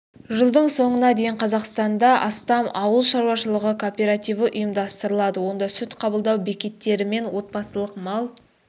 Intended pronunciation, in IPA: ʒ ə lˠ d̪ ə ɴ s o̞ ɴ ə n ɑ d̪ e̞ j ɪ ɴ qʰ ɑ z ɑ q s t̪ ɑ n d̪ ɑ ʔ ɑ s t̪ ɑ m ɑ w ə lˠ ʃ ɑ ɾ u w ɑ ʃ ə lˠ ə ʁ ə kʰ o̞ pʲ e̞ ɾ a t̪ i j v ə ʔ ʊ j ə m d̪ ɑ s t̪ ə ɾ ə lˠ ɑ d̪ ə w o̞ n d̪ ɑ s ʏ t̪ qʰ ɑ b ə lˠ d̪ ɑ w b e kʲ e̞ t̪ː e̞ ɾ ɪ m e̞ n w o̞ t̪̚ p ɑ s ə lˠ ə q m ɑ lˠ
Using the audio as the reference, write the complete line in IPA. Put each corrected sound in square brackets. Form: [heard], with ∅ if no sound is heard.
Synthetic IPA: ʒ ə lˠ d̪ ə ɴ s o̞ ɴ ə n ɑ d̪ e̞ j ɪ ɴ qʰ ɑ z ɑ q s t̪ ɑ n d̪ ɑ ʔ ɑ s t̪ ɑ m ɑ w ə lˠ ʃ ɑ ɾ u w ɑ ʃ ə lˠ ə ʁ ə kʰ o̞ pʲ e̞ ɾ a t̪ i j v ə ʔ ʊ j ə m d̪ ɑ s t̪ ə ɾ ə lˠ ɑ d̪ ə w o̞ n d̪ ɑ s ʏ t̪ qʰ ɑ b ə lˠ d̪ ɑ w b e kʲ e̞ t̪ː e̞ ɾ ɪ m e̞ n w o̞ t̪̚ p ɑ s ə lˠ ə q m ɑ lˠ

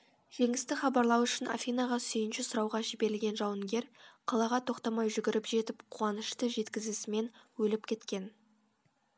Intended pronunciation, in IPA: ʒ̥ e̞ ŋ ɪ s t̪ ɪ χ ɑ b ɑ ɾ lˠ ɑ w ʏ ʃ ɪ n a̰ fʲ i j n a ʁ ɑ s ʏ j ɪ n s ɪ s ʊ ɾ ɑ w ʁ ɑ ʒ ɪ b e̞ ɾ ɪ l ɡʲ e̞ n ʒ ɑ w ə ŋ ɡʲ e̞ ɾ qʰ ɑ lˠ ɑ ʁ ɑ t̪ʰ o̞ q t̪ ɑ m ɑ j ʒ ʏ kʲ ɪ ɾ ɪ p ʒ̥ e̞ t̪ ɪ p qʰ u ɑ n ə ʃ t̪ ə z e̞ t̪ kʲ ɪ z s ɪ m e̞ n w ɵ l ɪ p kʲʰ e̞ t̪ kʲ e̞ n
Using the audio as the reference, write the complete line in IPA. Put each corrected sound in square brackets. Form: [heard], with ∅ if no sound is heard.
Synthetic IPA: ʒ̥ e̞ ŋ ɪ s t̪ ɪ χ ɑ b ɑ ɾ lˠ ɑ w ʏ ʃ ɪ n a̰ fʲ i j n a ʁ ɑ s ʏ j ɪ n [ʃ] ɪ s ʊ ɾ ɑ w ʁ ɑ ʒ ɪ b e̞ ɾ ɪ l ɡʲ e̞ n ʒ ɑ w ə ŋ ɡʲ e̞ ɾ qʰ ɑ lˠ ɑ ʁ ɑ t̪ʰ o̞ q t̪ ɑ m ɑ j ʒ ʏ [ɡʲ] ɪ ɾ ɪ p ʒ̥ e̞ t̪ ɪ p qʰ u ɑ n ə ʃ t̪ ə [ʒ] e̞ t̪ kʲ ɪ z s ɪ m e̞ n w ɵ l ɪ p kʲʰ e̞ t̪ kʲ e̞ n

